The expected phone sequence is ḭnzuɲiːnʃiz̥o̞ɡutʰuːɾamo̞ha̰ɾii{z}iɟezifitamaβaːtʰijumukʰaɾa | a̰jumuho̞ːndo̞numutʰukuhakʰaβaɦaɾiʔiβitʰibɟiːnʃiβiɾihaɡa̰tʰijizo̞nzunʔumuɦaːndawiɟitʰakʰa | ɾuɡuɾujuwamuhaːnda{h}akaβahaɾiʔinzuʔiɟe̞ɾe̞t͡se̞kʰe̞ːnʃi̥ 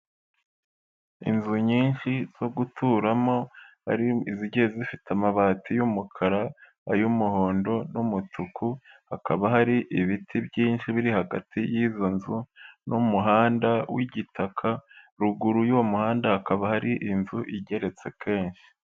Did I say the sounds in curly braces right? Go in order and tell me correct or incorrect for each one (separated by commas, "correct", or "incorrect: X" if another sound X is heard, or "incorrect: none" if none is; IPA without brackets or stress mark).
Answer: correct, correct